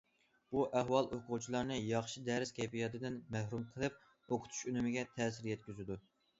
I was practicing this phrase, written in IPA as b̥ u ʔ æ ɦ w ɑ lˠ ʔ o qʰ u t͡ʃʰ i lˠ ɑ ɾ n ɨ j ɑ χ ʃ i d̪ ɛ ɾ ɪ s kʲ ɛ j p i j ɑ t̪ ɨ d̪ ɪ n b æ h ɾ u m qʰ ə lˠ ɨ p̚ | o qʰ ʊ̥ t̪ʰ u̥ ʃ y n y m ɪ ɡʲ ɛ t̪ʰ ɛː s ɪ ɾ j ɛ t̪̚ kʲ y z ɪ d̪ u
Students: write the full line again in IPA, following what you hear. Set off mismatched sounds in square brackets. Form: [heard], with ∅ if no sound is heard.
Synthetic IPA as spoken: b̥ u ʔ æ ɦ w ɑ lˠ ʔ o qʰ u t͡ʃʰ i lˠ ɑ ɾ n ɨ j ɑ χ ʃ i d̪ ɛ ɾ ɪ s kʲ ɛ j p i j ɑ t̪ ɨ d̪ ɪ n [m] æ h ɾ u m qʰ ə lˠ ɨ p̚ | o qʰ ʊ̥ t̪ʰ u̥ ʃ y n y m ɪ ɡʲ ɛ t̪ʰ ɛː s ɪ ɾ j ɛ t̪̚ kʲ y z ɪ d̪ u